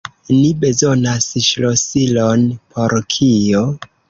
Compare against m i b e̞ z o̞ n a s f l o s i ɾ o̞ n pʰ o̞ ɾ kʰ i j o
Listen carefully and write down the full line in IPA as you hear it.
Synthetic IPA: n i b e̞ z o̞ n a s ʃ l o s i l o̞ n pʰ o̞ ɾ kʰ i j o